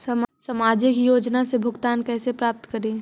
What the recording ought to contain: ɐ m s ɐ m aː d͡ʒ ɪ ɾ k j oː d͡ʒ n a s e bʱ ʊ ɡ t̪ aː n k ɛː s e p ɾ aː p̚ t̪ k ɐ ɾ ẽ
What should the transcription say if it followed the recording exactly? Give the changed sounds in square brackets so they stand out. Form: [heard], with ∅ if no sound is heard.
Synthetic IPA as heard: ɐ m s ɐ m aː d͡ʒ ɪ [∅] k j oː d͡ʒ n a s e bʱ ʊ ɡ t̪ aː n k ɛː s e p ɾ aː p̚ t̪ k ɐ ɾ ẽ